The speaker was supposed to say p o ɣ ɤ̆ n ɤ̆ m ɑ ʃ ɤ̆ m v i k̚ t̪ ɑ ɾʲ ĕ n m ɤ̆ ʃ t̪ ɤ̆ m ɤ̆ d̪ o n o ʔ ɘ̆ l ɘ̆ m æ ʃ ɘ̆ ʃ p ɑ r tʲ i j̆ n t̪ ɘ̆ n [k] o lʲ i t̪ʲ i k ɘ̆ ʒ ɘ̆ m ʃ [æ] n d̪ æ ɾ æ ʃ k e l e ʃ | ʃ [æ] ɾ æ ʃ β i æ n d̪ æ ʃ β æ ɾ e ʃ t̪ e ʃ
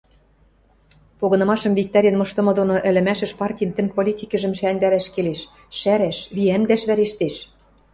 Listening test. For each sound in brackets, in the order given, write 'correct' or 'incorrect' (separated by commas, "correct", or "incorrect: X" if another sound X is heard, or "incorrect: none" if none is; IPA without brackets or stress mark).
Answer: incorrect: p, correct, correct